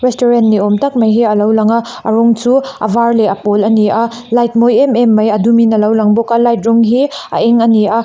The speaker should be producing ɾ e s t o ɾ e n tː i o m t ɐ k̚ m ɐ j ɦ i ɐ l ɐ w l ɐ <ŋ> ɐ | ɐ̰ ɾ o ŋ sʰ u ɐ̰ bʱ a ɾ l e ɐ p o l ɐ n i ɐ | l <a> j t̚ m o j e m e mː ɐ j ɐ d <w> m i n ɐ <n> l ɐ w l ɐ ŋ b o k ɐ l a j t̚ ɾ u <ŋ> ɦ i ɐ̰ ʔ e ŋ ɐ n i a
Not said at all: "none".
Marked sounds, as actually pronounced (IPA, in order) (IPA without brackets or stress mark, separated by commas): ŋ, a, u, none, ŋ